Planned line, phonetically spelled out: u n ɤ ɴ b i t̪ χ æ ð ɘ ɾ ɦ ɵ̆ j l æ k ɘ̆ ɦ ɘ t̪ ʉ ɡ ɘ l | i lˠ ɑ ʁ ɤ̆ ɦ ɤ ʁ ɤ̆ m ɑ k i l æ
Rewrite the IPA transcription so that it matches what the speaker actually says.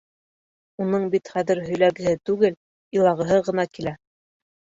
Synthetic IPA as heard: u n ɤ ɴ b i t̪ χ æ ð ɘ ɾ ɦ ɵ̆ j l æ ɡ ɘ̆ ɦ ɘ t̪ ʉ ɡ ɘ l | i lˠ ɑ ʁ ɤ̆ ɦ ɤ ʁ ɤ̆ n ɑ k i l æ